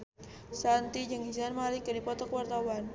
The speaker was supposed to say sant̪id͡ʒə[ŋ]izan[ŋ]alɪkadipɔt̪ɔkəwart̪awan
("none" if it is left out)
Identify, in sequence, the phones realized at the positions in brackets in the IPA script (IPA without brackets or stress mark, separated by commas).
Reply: ŋ, m